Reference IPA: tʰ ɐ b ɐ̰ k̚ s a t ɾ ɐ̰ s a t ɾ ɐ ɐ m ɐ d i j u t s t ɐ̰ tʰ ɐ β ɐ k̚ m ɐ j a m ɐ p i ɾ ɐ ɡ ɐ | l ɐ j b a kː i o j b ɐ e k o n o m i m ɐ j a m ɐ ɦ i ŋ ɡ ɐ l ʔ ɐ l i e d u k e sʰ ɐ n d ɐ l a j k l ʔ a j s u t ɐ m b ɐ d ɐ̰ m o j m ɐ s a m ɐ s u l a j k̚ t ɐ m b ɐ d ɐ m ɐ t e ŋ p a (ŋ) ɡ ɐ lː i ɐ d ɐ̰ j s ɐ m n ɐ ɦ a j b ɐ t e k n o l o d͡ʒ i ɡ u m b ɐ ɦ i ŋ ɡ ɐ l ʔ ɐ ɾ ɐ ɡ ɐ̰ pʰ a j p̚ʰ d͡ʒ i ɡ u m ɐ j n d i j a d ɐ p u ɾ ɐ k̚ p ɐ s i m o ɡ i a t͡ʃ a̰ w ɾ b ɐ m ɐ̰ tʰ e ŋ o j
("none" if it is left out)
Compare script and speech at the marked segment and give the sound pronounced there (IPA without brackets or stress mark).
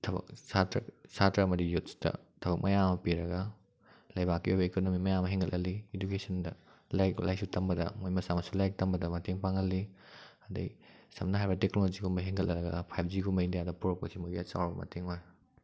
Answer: ŋ